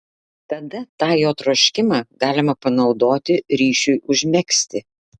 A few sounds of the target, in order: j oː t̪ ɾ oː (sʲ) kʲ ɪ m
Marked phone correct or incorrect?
incorrect